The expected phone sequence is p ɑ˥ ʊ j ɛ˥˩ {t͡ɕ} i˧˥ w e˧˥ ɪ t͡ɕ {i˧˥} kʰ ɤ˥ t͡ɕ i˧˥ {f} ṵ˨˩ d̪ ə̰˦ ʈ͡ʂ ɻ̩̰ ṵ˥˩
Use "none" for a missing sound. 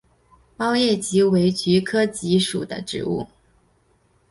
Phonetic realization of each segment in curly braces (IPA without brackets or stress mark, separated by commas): t͡ɕ, y˧˥, ʂ